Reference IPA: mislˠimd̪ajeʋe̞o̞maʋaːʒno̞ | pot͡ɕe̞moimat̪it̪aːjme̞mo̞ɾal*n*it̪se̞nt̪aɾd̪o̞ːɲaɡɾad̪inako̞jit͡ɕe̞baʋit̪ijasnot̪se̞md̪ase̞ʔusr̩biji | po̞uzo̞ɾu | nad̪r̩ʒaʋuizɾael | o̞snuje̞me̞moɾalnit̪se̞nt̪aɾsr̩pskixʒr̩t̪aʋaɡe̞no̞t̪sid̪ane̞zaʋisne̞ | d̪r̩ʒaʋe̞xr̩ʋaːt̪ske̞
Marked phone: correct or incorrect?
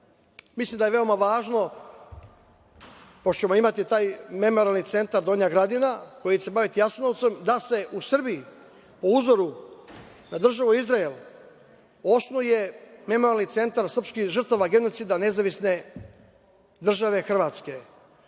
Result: correct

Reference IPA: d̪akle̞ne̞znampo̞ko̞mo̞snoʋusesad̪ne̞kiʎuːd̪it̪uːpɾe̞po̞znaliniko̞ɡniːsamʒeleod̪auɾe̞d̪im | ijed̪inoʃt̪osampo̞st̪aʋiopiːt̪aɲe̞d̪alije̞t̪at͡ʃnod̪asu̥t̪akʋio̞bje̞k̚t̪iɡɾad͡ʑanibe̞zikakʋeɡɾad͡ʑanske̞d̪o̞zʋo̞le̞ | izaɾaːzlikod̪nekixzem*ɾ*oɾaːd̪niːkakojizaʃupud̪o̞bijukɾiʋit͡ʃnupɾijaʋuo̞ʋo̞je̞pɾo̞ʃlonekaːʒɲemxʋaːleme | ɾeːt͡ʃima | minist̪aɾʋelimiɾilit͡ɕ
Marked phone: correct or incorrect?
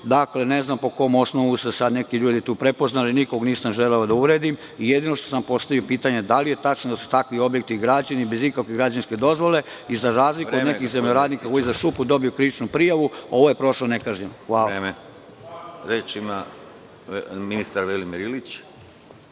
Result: incorrect: ʎ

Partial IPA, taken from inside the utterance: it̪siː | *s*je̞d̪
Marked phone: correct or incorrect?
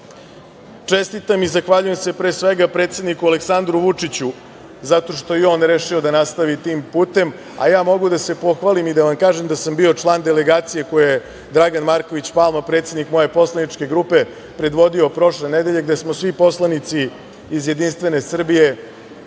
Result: incorrect: z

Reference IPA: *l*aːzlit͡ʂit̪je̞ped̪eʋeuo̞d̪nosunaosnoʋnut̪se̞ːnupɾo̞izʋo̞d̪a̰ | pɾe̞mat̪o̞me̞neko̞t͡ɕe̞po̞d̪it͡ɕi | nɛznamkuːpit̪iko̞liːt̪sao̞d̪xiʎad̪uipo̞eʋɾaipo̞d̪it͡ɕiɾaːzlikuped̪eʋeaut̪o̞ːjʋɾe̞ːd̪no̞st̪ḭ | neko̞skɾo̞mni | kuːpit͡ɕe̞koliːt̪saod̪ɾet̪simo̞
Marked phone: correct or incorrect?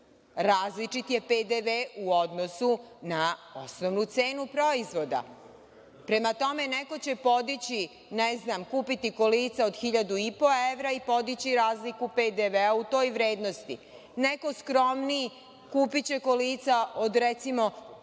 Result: incorrect: ɾ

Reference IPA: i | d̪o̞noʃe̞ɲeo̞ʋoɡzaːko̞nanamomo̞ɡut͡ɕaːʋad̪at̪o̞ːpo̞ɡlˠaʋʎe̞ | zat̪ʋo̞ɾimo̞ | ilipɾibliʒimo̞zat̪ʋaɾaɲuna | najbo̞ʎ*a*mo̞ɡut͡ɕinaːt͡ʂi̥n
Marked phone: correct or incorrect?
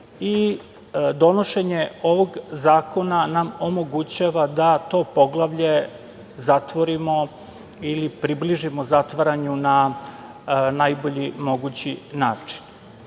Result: incorrect: i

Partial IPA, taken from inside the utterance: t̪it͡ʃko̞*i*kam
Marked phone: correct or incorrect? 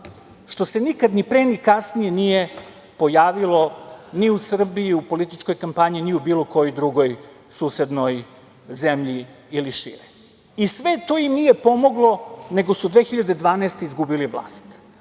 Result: incorrect: j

